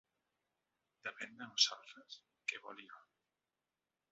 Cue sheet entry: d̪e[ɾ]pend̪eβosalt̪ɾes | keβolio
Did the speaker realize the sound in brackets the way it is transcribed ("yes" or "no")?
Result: no